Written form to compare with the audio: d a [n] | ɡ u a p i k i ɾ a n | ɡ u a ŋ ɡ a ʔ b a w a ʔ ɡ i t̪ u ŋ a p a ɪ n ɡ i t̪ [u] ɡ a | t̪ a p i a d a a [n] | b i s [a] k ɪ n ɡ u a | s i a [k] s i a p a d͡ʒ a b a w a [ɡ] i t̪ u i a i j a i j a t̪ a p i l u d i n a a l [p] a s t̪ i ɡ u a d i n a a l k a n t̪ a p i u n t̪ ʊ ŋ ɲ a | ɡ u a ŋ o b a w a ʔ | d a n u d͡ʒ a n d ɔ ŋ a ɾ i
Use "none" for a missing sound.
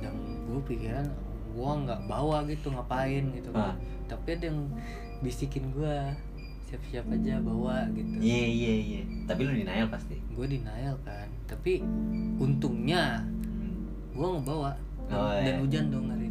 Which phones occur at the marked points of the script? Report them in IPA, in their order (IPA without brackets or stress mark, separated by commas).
ŋ, u, ŋ, i, p, ɡ, p